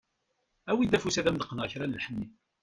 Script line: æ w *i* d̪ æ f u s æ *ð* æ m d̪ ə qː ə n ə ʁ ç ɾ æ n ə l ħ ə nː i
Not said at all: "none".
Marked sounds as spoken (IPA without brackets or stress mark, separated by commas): i, ð